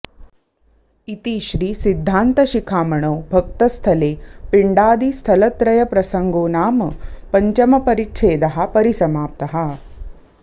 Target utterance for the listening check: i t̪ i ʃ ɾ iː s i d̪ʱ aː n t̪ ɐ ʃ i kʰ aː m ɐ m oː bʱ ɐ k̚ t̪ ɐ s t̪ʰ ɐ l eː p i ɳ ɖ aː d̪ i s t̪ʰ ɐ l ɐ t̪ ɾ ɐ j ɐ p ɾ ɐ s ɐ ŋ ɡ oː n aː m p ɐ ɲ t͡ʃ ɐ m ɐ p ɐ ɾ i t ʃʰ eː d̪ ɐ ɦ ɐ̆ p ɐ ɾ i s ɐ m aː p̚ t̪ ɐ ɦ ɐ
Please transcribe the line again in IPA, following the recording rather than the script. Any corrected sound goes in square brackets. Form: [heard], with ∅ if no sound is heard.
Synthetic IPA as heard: i t̪ i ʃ ɾ iː s i [d̪ʱː] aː n t̪ ɐ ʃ i kʰ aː m ɐ [ɳ] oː bʱ ɐ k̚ t̪ ɐ s t̪ʰ ɐ l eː p i ɳ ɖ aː d̪ i s t̪ʰ ɐ l ɐ t̪ ɾ ɐ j ɐ p ɾ ɐ s ɐ ŋ ɡ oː n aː m p ɐ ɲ t͡ʃ ɐ m ɐ p ɐ ɾ i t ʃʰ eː d̪ ɐ ɦ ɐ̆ p ɐ ɾ i s ɐ m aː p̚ t̪ ɐ ɦ ɐ